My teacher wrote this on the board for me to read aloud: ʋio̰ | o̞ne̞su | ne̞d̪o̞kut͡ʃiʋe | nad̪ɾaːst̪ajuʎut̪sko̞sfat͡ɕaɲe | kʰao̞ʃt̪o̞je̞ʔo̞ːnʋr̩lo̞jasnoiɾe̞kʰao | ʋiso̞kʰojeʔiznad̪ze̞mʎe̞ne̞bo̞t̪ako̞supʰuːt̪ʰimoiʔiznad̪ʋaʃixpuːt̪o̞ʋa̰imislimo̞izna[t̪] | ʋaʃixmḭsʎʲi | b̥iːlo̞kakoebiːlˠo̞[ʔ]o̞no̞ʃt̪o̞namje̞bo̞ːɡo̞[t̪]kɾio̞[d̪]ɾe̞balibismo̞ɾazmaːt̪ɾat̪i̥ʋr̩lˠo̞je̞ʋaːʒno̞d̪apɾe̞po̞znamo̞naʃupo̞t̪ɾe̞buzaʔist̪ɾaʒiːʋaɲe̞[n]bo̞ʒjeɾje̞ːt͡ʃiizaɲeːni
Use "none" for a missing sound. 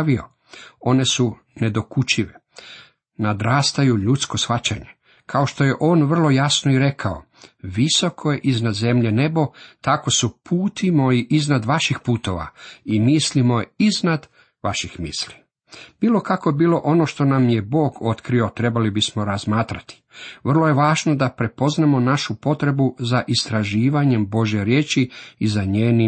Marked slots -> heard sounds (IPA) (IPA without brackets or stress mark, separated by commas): d̪, ʔ, t̪, t̪, m